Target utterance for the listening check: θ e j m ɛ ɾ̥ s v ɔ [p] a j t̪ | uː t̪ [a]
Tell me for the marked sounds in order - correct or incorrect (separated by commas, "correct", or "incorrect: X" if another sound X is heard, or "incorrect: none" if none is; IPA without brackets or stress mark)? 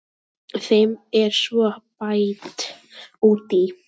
correct, incorrect: i